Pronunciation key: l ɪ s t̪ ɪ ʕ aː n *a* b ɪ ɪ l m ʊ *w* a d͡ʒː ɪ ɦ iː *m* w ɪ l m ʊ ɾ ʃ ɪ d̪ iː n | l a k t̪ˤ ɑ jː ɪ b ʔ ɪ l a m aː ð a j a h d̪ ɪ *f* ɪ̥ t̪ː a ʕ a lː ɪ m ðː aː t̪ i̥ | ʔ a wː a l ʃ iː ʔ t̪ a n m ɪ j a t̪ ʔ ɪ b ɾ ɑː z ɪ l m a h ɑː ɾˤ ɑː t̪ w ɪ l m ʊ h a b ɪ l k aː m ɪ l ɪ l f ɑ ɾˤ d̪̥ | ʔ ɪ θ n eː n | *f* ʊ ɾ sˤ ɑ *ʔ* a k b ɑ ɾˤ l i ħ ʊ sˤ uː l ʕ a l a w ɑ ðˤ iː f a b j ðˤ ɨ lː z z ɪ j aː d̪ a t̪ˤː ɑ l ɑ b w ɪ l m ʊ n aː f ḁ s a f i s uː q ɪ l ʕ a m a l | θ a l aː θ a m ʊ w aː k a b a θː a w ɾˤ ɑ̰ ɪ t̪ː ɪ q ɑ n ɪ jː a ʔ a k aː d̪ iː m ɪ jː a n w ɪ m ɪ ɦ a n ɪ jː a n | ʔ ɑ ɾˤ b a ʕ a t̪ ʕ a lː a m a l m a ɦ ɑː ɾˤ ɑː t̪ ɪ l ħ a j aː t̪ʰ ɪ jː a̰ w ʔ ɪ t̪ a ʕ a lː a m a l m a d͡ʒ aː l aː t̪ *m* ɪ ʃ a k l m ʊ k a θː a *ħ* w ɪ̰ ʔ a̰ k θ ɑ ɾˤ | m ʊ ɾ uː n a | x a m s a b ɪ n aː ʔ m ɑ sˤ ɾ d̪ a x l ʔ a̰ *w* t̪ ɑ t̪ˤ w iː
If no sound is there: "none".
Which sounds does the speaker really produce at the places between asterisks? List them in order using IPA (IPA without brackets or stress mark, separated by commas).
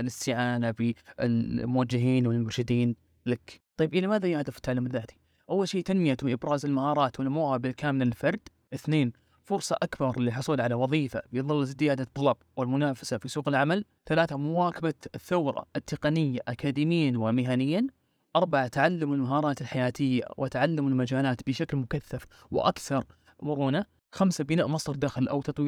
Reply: a, w, n, f, f, ʔ, b, f, w